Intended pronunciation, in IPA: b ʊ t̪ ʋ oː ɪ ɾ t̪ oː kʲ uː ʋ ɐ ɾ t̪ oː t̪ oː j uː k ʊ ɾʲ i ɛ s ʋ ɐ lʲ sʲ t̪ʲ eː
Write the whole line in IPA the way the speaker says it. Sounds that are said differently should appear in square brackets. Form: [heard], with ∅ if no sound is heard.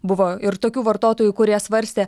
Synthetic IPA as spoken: b ʊ [∅] ʋ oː ɪ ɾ t̪ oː kʲ uː ʋ ɐ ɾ t̪ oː t̪ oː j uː k ʊ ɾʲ i ɛ s ʋ ɐ [ɾʲ] sʲ t̪ʲ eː